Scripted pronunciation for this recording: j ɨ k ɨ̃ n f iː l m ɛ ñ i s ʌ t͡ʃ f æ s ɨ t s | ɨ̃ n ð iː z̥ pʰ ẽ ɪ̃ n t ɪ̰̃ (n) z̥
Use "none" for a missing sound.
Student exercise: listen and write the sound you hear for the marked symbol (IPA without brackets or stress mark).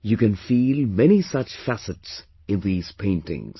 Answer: ŋ